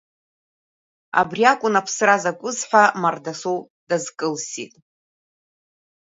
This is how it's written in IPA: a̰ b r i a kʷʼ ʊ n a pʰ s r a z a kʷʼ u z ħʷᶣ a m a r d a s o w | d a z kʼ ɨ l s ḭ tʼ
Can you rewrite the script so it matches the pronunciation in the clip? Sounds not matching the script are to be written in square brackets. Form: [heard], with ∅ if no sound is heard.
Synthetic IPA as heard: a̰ b r i a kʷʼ ʊ n a pʰ s r a z a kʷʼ [ʊ] z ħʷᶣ a m a r d a s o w | d a z kʼ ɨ l s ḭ tʼ